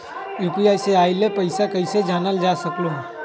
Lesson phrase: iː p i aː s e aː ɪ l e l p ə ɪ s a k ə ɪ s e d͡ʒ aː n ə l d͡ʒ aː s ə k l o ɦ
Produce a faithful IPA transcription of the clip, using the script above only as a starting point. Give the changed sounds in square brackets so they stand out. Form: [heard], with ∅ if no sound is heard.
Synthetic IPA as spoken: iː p i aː s e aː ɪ l e [∅] p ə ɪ s a k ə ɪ s e d͡ʒ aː n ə l d͡ʒ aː s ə k l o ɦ